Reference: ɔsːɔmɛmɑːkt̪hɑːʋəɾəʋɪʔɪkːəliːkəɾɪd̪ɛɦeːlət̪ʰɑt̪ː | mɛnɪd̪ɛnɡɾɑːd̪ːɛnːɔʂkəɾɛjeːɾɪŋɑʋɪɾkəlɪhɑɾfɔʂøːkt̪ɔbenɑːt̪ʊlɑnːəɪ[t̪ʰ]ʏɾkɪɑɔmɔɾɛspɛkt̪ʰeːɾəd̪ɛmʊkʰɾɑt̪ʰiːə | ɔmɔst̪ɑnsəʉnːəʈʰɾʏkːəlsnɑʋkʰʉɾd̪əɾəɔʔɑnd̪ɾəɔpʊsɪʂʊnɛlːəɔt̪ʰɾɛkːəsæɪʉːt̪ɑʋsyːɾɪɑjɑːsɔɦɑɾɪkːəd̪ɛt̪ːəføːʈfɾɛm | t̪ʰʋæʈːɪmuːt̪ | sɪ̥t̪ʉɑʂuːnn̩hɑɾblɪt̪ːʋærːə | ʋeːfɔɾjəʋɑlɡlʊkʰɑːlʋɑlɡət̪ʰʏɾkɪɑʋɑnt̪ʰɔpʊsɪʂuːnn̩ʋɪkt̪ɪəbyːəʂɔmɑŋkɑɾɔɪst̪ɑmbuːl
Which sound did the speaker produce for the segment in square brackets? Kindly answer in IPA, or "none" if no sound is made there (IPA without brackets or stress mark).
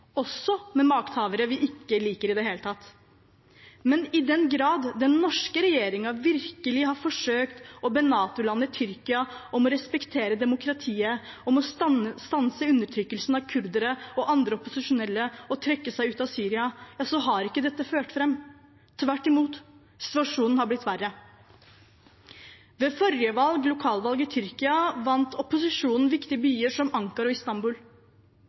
t̪ʰ